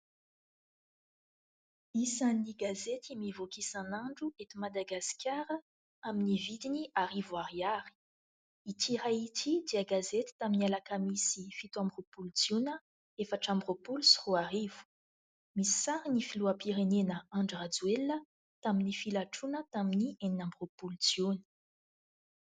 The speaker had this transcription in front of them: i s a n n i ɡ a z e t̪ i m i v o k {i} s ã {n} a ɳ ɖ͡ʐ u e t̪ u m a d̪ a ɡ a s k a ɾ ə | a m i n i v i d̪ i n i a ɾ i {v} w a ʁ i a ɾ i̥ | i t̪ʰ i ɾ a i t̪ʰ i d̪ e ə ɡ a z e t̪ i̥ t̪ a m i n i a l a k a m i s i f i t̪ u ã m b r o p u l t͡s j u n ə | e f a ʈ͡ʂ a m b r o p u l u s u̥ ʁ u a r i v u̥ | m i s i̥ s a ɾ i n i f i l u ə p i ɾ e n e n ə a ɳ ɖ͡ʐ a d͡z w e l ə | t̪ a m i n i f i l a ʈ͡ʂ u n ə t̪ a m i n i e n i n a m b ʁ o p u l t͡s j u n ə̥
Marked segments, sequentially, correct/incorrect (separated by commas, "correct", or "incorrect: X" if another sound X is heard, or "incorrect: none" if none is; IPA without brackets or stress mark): correct, correct, correct